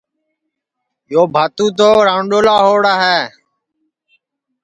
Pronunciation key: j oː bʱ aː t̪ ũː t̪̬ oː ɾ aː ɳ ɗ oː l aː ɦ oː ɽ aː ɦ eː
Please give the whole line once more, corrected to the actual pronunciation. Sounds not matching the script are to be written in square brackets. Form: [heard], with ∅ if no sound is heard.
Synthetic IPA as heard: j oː bʱ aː t̪ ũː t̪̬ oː ɾ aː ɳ ɗ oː l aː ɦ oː ɽ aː ɦ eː